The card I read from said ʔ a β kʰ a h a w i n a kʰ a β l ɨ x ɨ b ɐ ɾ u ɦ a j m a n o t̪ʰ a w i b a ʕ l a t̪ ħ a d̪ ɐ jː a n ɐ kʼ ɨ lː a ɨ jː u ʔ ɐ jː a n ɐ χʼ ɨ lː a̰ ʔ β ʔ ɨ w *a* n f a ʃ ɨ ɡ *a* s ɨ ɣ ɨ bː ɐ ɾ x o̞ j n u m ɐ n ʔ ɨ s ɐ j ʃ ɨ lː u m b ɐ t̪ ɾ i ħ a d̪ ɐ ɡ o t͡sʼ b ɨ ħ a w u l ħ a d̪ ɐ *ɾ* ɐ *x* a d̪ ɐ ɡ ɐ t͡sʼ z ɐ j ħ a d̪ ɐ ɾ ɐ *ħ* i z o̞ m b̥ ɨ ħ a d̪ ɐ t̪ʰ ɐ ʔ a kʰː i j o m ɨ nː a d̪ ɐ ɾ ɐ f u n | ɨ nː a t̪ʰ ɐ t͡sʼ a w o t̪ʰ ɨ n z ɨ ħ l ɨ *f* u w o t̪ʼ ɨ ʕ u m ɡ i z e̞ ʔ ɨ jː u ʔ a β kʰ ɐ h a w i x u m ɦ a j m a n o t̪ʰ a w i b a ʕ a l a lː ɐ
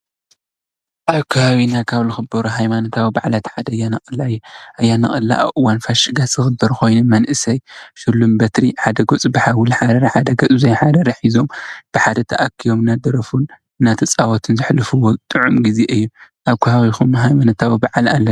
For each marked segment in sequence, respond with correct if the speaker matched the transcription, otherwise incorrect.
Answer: correct, correct, correct, incorrect: ħ, correct, correct

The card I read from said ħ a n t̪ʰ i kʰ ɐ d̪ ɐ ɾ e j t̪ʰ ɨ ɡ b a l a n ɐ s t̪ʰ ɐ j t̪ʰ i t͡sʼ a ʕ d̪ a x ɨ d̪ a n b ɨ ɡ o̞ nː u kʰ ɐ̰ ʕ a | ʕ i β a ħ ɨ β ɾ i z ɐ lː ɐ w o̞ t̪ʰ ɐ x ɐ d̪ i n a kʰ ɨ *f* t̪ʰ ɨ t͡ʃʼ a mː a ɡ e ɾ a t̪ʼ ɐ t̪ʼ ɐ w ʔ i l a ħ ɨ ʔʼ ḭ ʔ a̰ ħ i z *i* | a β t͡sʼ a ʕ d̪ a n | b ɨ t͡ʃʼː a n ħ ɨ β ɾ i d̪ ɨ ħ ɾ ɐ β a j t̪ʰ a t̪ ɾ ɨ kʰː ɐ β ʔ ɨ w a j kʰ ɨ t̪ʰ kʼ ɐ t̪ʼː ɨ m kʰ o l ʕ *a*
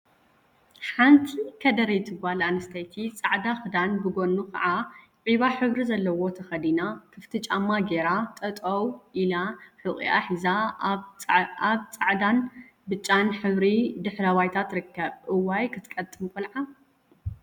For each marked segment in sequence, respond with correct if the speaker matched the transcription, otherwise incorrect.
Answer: correct, incorrect: a, correct

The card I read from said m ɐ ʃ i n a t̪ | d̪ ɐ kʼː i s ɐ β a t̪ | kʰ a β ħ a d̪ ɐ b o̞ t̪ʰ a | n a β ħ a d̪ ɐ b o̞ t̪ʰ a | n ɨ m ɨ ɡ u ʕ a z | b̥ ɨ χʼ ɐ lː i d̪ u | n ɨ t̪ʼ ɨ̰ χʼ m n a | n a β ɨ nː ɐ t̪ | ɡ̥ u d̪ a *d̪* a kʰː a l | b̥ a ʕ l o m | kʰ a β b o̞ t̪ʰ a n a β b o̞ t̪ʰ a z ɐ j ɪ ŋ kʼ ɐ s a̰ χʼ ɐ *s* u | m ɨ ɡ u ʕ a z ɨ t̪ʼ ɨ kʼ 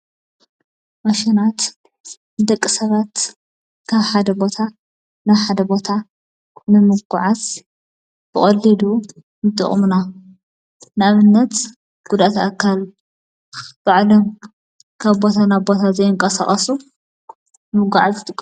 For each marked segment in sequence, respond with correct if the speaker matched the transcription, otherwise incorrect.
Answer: incorrect: t̪, correct

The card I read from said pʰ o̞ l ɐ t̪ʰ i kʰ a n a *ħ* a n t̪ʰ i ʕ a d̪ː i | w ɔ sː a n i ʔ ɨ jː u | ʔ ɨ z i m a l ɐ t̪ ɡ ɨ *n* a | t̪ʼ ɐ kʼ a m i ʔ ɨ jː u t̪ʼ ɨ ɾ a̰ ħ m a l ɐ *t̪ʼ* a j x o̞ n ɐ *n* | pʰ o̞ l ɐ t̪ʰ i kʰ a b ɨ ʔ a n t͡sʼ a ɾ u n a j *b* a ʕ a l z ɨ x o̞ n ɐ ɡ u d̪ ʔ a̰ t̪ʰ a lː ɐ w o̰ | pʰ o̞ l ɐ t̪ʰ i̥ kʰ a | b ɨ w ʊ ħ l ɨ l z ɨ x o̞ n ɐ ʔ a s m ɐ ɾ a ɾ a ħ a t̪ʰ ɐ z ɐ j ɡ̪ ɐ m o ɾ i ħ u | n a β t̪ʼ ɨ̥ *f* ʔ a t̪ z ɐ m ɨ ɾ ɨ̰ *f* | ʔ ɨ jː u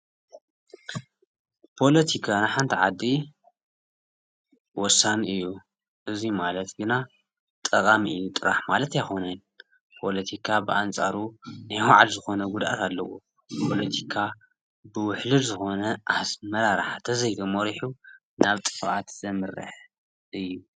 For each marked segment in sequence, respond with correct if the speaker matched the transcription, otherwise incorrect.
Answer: correct, correct, incorrect: t̪, correct, incorrect: w, correct, incorrect: ħ

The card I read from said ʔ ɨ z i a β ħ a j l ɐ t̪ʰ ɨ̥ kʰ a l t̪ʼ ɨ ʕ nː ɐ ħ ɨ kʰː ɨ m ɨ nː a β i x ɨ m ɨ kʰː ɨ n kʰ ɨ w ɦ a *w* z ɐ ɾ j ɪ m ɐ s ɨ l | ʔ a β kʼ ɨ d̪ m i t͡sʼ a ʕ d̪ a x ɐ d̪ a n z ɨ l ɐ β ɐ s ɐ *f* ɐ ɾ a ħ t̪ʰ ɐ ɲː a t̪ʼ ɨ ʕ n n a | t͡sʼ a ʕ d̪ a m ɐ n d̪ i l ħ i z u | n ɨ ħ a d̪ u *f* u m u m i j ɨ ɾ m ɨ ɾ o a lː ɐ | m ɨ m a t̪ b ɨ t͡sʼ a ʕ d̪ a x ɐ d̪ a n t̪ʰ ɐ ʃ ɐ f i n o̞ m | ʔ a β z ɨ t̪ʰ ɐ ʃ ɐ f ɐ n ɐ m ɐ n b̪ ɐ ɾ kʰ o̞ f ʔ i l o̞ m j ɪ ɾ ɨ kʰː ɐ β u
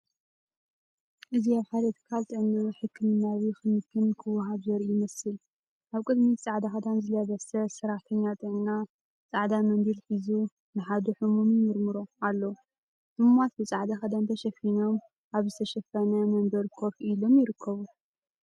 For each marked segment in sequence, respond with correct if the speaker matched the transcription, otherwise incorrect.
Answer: incorrect: β, incorrect: s, incorrect: ħ

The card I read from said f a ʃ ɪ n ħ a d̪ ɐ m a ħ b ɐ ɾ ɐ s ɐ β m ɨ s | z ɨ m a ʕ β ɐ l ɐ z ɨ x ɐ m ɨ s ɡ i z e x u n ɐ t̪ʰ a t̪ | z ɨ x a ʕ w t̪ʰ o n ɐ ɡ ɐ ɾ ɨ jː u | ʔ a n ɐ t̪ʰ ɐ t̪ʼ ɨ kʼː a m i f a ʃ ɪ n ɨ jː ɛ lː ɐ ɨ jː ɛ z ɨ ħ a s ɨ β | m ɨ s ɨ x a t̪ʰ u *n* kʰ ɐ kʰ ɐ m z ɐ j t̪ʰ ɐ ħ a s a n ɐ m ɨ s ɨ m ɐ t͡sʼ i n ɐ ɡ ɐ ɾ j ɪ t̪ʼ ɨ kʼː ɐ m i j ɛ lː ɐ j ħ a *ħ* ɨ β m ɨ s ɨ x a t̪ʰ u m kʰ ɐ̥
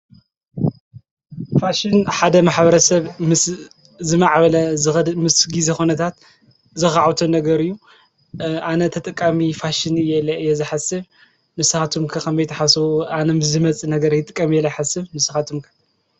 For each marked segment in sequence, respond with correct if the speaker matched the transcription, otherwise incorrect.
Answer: incorrect: m, incorrect: s

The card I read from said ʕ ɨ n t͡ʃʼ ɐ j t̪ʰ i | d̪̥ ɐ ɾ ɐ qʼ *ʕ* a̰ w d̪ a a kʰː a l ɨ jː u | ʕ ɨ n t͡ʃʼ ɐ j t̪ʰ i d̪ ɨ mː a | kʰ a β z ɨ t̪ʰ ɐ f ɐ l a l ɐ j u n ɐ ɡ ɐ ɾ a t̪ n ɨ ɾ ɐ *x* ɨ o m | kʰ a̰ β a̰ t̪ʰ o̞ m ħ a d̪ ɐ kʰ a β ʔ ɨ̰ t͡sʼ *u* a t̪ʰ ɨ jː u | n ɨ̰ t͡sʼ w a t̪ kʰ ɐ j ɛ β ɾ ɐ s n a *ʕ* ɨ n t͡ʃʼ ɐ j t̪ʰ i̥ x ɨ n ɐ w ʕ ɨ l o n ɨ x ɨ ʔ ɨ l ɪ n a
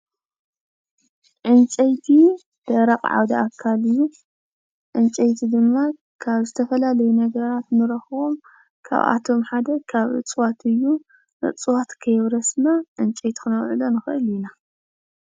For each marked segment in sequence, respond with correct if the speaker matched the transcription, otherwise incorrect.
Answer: correct, correct, incorrect: w, correct

